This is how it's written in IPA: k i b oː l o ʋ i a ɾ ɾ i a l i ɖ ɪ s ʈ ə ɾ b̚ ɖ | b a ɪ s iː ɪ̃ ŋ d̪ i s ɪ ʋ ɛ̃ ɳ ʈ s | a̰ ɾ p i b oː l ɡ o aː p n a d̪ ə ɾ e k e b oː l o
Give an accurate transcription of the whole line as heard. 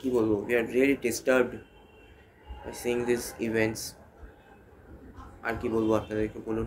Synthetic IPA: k i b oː l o ʋ i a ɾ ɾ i ə l i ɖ ɪ s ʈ ə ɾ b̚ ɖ | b a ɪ s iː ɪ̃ ŋ d̪ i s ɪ ʋ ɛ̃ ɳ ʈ s | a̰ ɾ k i b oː l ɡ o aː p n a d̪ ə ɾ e k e b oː l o